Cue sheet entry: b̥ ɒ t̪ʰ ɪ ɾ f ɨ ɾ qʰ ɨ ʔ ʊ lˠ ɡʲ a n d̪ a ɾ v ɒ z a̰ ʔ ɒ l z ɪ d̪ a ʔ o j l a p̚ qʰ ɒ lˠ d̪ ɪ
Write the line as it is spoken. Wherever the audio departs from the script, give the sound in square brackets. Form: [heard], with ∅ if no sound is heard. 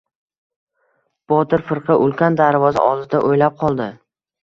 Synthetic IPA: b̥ ɒ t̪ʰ ɪ ɾ f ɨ ɾ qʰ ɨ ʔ ʊ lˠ [kʲ] a n d̪ a ɾ v ɒ z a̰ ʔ ɒ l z ɪ d̪ a ʔ o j l a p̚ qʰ ɒ lˠ d̪ ɪ